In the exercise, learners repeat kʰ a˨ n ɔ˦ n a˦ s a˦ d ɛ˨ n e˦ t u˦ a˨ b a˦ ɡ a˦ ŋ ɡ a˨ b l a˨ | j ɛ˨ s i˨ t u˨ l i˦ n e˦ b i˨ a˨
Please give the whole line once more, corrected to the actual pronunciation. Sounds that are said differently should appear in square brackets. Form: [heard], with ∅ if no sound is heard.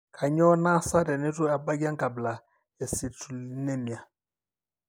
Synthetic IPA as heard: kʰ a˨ [ɲ] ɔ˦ n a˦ s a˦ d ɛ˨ n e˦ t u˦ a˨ b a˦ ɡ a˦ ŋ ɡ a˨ b l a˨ | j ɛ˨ s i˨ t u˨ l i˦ n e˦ [m] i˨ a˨